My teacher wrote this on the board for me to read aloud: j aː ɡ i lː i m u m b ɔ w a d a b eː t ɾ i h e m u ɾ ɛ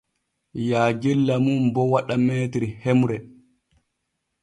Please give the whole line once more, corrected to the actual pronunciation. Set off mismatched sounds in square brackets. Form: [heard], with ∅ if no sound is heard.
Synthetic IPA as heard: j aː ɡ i lː [a] m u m b ɔ w a [ɗ] a [m] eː t ɾ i h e m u ɾ ɛ